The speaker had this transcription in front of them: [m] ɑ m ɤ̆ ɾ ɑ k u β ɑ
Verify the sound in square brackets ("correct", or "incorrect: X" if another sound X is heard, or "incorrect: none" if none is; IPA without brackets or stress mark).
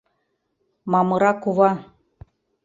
correct